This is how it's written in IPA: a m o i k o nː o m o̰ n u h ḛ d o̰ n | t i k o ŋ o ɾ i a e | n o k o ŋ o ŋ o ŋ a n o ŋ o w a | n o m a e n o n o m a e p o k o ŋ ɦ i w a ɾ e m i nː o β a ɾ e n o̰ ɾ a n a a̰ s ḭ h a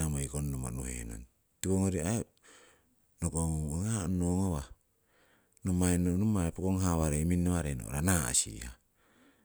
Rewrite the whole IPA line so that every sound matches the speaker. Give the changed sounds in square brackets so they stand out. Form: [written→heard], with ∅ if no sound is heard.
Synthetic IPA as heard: a m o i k o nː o m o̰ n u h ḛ [d→n] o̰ n | t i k o ŋ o ɾ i a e | n o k o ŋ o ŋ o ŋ a n o ŋ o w a | n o m a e n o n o m a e p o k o ŋ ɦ [i→a] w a ɾ e m i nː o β a ɾ e n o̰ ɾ a n a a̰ s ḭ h a